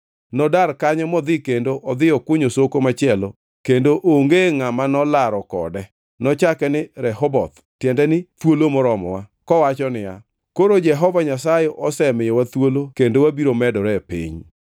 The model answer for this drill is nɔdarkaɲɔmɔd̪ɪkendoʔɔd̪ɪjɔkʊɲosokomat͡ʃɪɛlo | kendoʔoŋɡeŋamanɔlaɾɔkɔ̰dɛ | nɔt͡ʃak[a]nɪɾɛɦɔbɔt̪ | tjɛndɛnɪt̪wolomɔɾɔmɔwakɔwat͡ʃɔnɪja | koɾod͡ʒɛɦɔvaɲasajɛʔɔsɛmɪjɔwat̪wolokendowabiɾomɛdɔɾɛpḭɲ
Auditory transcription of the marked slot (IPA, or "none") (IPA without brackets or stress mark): ɛ